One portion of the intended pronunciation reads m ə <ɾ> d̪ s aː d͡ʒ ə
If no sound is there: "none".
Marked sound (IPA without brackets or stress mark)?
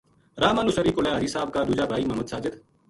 none